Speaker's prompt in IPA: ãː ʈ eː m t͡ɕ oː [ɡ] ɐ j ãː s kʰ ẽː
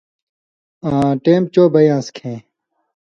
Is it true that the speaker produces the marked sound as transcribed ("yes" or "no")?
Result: no